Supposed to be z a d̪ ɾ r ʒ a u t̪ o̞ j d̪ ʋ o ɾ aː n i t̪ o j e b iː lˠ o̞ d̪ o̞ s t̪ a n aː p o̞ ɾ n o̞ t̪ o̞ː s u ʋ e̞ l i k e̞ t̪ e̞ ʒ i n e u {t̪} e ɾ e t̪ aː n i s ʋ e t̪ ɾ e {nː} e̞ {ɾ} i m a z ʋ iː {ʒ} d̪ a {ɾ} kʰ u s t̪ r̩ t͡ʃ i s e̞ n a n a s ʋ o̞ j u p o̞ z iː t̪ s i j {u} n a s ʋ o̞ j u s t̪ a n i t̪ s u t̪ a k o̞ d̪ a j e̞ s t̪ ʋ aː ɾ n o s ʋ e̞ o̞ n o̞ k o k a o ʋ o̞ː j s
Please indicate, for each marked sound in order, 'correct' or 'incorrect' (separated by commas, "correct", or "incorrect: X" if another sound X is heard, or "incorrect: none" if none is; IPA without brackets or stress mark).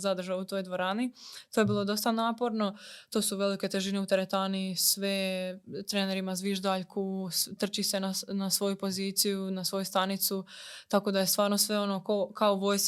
correct, incorrect: n, correct, correct, incorrect: ʎ, correct